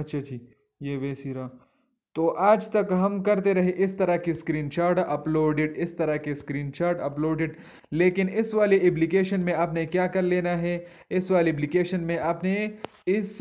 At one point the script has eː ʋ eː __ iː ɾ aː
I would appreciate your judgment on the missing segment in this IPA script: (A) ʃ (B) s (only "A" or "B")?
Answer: B